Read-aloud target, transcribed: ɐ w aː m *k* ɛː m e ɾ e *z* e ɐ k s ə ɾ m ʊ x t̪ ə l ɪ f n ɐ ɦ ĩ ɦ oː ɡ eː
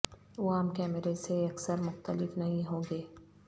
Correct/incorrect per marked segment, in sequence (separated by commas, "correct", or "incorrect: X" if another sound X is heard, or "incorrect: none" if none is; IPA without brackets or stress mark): correct, incorrect: s